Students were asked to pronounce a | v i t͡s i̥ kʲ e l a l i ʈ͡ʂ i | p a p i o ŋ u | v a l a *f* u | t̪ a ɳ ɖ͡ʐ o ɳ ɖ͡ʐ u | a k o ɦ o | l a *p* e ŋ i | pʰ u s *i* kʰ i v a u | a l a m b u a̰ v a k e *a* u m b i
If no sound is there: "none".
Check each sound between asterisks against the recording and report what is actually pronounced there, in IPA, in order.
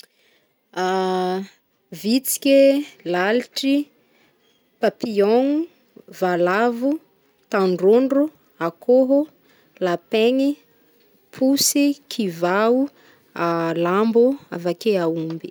v, p, i, a

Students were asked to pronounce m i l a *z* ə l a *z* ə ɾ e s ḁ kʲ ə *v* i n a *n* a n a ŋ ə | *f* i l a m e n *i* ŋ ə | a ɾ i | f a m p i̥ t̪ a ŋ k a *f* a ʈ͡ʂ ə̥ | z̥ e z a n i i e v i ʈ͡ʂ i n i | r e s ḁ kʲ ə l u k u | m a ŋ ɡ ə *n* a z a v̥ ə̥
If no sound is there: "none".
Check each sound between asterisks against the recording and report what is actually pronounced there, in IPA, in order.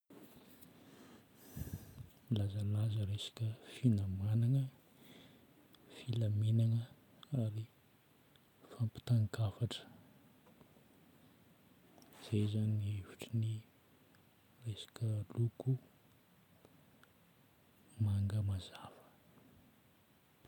z, z, f, m, f, a, f, m

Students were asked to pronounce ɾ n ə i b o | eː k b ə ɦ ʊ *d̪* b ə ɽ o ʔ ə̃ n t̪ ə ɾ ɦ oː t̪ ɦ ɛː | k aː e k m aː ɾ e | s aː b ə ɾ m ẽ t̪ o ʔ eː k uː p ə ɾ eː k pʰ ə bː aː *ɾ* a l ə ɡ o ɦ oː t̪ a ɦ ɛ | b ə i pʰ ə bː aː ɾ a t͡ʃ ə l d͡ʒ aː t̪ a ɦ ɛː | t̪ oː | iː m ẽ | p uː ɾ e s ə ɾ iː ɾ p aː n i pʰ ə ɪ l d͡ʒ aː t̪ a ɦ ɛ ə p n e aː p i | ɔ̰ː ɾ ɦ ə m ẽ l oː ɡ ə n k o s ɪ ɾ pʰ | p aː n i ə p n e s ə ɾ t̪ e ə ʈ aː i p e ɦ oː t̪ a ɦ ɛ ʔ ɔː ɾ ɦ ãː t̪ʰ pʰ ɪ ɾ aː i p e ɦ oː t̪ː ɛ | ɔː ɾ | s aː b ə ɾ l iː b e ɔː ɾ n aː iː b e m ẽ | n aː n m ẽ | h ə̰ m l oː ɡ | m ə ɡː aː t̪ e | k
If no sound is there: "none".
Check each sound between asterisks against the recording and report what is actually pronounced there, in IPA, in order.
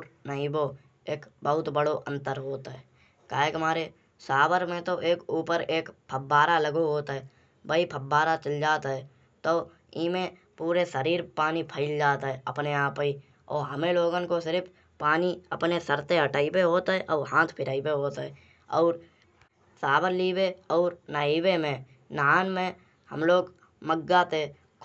t̪, ɾ

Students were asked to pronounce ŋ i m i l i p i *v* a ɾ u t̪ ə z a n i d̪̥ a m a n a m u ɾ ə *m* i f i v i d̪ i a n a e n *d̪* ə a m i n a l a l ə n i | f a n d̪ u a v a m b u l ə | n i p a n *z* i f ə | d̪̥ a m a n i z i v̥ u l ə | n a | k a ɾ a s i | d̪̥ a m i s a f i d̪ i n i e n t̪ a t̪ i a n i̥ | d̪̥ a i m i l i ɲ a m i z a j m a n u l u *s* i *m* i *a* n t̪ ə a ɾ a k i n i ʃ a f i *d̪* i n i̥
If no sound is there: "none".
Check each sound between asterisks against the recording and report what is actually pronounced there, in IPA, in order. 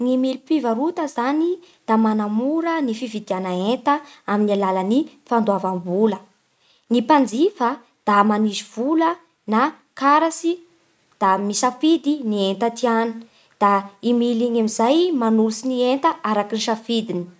v, n, t̪, d͡z, s, n, e, d̪

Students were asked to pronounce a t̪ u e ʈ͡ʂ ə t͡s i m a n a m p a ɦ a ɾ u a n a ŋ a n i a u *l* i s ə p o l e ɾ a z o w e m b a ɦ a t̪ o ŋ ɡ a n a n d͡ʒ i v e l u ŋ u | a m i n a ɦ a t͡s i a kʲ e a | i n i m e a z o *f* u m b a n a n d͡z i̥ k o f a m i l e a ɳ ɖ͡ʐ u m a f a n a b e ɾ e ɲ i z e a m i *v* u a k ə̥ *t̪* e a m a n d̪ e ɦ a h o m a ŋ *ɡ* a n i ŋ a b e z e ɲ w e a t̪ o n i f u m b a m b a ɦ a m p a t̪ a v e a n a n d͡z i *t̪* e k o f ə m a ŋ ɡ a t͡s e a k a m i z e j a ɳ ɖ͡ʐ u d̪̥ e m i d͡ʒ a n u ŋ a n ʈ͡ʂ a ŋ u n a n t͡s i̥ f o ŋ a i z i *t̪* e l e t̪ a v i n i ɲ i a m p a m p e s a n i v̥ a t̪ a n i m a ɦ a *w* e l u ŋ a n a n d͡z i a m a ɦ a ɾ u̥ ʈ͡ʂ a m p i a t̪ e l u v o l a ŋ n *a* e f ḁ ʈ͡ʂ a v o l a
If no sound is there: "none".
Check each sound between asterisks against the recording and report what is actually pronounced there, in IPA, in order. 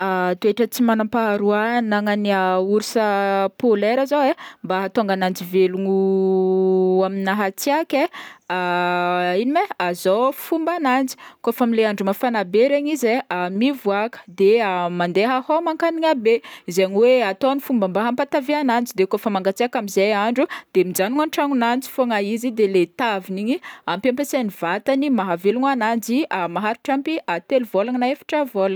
ɾ, f, v, d̪, k, d̪, d̪, v, a

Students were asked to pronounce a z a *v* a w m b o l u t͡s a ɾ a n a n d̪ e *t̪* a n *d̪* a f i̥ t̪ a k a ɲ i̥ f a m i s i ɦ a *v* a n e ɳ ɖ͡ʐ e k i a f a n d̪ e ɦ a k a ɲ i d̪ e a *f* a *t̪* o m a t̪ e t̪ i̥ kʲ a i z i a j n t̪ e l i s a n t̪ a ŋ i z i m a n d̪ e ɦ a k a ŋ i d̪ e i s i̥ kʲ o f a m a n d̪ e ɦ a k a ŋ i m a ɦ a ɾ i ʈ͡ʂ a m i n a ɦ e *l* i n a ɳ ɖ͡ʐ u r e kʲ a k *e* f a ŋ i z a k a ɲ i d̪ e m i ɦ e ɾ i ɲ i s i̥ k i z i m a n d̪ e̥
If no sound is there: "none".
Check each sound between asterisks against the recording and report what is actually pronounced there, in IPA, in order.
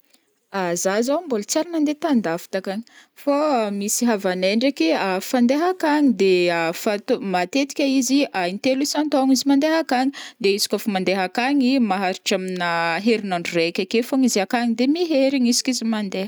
z, t̪, d̪, v, f, t̪, ɾ, e

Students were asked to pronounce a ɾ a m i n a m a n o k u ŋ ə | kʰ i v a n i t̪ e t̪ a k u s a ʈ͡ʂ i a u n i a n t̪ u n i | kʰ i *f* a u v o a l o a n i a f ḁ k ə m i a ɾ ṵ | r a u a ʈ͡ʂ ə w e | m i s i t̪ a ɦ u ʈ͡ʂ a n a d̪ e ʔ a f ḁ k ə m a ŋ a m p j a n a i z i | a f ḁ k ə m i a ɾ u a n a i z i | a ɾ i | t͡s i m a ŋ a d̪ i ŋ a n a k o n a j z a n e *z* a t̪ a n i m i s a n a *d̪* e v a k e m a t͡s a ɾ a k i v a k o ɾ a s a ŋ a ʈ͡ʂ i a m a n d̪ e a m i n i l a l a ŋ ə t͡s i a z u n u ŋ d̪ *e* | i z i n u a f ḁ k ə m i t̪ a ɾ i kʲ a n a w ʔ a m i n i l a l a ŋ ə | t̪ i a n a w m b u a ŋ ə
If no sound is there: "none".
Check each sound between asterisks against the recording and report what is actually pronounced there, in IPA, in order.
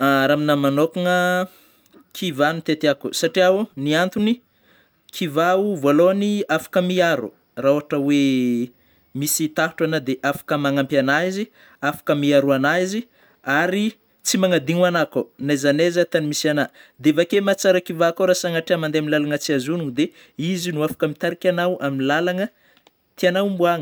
v, z, d̪, e

